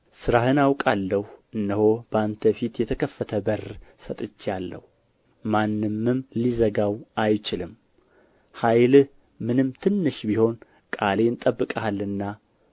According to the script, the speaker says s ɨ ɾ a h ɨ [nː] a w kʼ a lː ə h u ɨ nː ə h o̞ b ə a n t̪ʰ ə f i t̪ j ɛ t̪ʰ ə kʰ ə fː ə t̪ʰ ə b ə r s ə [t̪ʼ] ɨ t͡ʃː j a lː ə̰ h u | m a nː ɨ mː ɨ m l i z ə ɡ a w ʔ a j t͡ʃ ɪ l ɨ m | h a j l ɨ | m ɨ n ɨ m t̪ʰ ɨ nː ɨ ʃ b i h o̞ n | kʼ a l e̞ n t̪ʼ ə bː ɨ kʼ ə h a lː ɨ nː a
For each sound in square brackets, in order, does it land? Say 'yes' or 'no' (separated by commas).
no, yes